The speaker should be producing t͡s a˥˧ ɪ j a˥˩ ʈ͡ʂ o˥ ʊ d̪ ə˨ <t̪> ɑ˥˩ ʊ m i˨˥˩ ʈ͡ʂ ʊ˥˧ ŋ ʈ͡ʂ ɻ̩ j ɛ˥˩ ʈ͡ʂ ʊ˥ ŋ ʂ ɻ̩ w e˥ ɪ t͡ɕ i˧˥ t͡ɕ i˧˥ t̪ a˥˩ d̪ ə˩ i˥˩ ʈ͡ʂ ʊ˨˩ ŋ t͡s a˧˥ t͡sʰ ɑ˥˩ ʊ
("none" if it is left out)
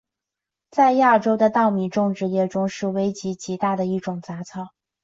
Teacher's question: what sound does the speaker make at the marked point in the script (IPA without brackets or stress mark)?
t̪